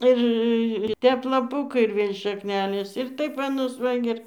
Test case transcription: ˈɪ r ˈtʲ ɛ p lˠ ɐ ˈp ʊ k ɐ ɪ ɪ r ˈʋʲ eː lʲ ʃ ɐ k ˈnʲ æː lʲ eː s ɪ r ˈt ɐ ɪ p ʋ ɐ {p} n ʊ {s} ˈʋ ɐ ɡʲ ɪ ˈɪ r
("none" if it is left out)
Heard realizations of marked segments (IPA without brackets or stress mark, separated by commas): none, s